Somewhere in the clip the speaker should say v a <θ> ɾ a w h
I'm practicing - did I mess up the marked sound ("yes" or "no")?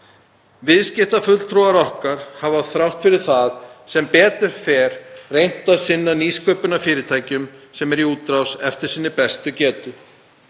no